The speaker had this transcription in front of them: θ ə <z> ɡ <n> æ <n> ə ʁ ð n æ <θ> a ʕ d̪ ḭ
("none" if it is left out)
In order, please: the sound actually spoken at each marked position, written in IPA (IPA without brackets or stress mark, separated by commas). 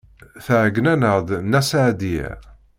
ʕ, n, n, s